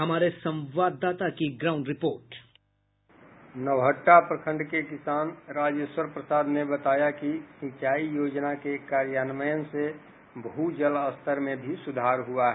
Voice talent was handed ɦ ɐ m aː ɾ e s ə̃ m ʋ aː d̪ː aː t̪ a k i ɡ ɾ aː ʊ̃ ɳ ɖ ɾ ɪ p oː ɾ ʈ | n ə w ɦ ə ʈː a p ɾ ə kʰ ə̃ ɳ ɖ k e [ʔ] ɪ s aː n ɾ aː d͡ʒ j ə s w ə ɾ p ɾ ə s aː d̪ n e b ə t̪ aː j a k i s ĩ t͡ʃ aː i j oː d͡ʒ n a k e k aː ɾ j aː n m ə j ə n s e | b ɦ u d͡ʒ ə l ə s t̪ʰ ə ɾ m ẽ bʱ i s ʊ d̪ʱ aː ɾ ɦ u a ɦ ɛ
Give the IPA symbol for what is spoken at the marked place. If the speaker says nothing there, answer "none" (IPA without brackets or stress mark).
k